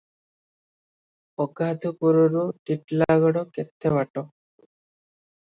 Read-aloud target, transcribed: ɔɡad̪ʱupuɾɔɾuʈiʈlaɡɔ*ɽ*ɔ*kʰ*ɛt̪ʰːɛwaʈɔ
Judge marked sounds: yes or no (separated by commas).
yes, no